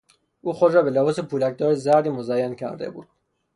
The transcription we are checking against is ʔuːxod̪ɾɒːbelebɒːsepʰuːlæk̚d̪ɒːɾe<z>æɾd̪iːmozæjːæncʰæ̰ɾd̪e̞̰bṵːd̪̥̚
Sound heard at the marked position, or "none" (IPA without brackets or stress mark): z